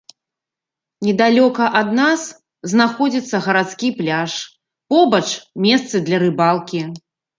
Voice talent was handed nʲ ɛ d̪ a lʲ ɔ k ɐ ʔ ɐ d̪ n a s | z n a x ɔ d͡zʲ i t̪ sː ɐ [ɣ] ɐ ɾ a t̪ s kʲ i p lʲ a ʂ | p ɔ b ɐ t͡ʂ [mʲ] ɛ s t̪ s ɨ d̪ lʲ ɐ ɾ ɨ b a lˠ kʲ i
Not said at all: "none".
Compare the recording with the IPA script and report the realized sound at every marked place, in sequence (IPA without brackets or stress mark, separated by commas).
ɣ, mʲ